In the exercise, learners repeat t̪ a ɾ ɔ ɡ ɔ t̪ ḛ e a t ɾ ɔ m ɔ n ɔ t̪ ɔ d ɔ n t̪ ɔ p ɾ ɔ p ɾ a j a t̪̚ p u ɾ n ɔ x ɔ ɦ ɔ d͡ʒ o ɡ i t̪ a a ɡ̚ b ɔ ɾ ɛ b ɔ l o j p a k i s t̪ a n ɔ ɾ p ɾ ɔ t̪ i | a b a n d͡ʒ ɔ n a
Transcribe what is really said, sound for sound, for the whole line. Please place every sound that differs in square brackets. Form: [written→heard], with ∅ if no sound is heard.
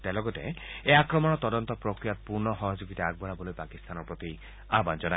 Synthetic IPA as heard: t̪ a [ɾ→l] ɔ ɡ ɔ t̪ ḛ e a [t→k] ɾ ɔ m ɔ n ɔ t̪ ɔ d ɔ n t̪ ɔ p ɾ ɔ [p→k] ɾ [a→i] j a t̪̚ p u ɾ n ɔ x ɔ ɦ ɔ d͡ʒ o ɡ i t̪ a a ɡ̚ b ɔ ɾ [ɛ→a] b ɔ l o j p a k i s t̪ a n ɔ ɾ p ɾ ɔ t̪ i | a b a n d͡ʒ ɔ n a

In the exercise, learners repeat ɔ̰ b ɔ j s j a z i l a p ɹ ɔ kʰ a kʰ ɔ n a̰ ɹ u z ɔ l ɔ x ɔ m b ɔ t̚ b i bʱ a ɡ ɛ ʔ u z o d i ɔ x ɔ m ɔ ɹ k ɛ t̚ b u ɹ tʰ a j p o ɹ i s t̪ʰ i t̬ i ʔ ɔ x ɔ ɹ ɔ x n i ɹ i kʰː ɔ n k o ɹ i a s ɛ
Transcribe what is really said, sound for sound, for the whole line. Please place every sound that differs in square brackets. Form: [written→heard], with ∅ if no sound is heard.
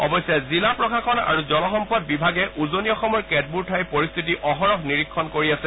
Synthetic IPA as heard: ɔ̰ b ɔ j s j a z i l a p ɹ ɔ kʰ a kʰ ɔ n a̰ ɹ u z ɔ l ɔ x ɔ m [b→p] ɔ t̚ b i bʱ a ɡ ɛ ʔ u z o [d→n] i ɔ x ɔ m ɔ ɹ k ɛ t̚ b u ɹ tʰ a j p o ɹ i s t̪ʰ i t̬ i ʔ ɔ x ɔ ɹ ɔ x n i ɹ i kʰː ɔ n k o ɹ i a s ɛ

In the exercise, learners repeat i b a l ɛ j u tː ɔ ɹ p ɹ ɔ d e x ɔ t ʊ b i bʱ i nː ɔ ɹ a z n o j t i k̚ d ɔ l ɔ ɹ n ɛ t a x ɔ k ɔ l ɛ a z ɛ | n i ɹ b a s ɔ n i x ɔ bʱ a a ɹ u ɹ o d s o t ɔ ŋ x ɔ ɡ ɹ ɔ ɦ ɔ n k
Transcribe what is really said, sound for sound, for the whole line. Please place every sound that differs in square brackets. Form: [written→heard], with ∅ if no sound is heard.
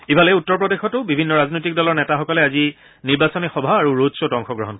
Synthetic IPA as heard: i b a l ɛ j u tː ɔ ɹ p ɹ ɔ d e x ɔ t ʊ b i bʱ i nː ɔ ɹ a z n o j t i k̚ d ɔ l ɔ ɹ n ɛ t a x ɔ k ɔ l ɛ a z [ɛ→i] | n i ɹ b a s ɔ n i x ɔ bʱ a a ɹ u ɹ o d s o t ɔ ŋ x ɔ ɡ ɹ ɔ ɦ ɔ n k

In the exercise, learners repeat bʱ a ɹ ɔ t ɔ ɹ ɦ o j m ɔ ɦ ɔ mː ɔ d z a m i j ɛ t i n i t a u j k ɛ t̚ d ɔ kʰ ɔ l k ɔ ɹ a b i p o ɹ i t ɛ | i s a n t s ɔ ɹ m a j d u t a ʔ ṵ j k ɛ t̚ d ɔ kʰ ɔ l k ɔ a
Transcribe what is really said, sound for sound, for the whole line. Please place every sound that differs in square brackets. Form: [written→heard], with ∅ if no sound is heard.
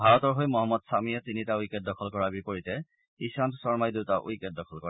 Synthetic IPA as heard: bʱ a ɹ ɔ t ɔ ɹ ɦ o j m ɔ ɦ ɔ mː ɔ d [z→s] a m i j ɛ t i n i t a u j k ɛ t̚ d ɔ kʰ ɔ l k ɔ ɹ a b i p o ɹ i t ɛ | i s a n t s ɔ ɹ m a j d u t a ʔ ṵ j k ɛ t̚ d ɔ kʰ ɔ l k ɔ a

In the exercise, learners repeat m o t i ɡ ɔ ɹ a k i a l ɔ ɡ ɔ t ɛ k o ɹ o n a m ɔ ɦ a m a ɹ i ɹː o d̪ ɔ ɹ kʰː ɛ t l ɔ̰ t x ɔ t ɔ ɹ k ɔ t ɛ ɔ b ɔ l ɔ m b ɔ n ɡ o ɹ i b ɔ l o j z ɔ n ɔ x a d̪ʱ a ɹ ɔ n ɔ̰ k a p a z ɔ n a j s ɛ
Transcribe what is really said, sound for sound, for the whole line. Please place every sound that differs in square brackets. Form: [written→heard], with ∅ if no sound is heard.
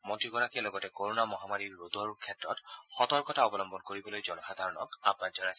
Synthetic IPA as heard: m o t i ɡ ɔ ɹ a k i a l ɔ ɡ ɔ t ɛ k o ɹ o n a m ɔ ɦ a m a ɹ i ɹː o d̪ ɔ ɹ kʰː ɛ t [l→ɹ] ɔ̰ t x ɔ t ɔ ɹ k ɔ t [ɛ→a] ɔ b ɔ l ɔ m b ɔ n [ɡ→k] o ɹ i b ɔ l o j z ɔ n ɔ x a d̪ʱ a ɹ ɔ n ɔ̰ k a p a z ɔ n a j s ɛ

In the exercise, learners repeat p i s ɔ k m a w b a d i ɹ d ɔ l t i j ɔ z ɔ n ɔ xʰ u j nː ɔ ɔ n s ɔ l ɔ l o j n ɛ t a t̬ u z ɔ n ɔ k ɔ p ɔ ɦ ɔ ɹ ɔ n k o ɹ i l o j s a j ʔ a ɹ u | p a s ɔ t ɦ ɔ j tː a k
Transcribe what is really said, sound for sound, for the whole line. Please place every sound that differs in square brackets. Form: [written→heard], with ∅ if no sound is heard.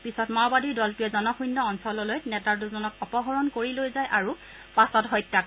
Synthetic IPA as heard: p i s ɔ [k→t] m a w b a d i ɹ d ɔ l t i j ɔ z ɔ n ɔ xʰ u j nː ɔ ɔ n s ɔ l ɔ l o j n ɛ t a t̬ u z ɔ n ɔ k ɔ p ɔ ɦ ɔ ɹ ɔ n k o ɹ i l o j [s→z] a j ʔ a ɹ u | p a s ɔ t ɦ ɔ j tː a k

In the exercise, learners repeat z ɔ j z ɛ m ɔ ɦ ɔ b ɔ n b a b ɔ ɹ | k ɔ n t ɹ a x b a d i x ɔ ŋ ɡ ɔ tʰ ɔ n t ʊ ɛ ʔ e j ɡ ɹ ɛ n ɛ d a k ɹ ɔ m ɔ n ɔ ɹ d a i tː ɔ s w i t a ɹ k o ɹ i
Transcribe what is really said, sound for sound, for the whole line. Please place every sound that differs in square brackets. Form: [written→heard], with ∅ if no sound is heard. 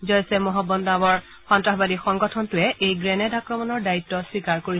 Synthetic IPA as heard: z ɔ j [z→s] ɛ m ɔ ɦ ɔ b ɔ n [b→d] a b ɔ ɹ | [k→x] ɔ n t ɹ a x b a d i x ɔ ŋ ɡ ɔ tʰ ɔ n t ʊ ɛ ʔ e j ɡ ɹ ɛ n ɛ d a k ɹ ɔ m ɔ n ɔ ɹ d a i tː ɔ s w i [t→k] a ɹ k o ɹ i

